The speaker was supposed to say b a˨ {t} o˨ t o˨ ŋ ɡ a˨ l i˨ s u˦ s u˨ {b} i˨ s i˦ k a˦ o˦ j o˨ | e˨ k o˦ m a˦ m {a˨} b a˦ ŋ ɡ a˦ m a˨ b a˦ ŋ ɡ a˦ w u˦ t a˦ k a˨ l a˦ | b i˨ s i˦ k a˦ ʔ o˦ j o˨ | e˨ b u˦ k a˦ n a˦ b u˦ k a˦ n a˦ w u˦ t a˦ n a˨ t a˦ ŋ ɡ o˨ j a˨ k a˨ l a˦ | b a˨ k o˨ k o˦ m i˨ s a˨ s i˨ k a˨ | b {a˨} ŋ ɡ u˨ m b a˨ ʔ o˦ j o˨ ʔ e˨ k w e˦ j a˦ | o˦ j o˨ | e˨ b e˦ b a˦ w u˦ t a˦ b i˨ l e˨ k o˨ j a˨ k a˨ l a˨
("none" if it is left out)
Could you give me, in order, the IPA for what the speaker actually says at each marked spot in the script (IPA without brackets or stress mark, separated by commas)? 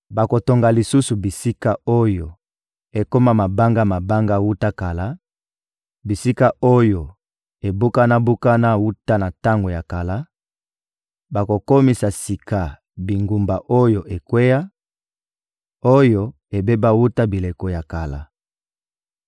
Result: k, b, a˨, i˨